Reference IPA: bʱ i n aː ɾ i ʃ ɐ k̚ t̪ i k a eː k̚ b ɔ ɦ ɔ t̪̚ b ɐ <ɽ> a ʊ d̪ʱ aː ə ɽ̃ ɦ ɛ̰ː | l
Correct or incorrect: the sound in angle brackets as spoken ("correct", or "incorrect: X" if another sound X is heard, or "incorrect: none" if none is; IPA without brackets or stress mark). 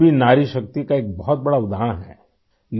correct